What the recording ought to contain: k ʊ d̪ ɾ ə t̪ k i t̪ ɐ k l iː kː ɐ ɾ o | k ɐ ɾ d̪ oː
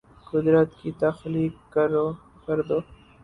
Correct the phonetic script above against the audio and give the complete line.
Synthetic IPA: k ʊ d̪ ɾ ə t̪ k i t̪ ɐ x l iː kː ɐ ɾ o | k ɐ ɾ d̪ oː